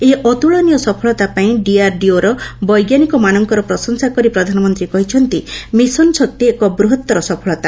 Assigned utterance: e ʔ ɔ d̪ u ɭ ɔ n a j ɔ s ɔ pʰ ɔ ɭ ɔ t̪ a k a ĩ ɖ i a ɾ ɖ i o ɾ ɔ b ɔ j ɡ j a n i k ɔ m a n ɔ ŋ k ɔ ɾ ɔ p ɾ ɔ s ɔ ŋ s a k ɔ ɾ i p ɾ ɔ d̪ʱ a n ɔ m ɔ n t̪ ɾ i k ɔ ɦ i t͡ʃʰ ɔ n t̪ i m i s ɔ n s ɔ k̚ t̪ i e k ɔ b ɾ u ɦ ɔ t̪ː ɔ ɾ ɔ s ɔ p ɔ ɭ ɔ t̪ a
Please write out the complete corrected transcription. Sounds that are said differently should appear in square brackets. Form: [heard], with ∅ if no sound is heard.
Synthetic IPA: e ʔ ɔ [t̪] u ɭ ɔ n [i] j ɔ s ɔ pʰ ɔ ɭ ɔ t̪ a [p] a ĩ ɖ i a ɾ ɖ i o ɾ ɔ b ɔ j ɡ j a n i k ɔ m a n ɔ ŋ k ɔ ɾ ɔ p ɾ ɔ s ɔ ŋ s a k ɔ ɾ i p ɾ ɔ d̪ʱ a n ɔ m ɔ n t̪ ɾ i k ɔ ɦ i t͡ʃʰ ɔ n t̪ i m i s ɔ n s ɔ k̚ t̪ i e k ɔ b ɾ u ɦ ɔ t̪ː ɔ ɾ ɔ s ɔ [pʰ] ɔ ɭ ɔ t̪ a